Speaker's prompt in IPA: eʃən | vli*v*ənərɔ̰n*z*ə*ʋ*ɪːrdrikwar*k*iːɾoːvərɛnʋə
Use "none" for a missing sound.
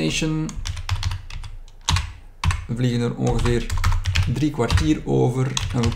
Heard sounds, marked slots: ɣ, ɣ, v, t

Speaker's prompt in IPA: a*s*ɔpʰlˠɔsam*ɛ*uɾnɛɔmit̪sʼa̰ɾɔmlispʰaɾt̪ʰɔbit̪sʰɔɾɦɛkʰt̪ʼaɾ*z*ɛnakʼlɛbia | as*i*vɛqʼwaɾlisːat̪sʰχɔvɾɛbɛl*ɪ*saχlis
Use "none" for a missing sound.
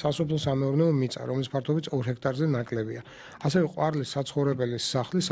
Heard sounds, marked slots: s, ɛ, z, ɛ, i

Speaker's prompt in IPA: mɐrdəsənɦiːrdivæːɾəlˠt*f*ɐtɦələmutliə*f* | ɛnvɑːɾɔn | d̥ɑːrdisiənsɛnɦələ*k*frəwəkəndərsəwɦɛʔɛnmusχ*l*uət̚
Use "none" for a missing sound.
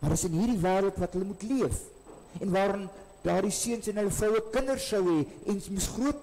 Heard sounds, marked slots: v, f, none, r

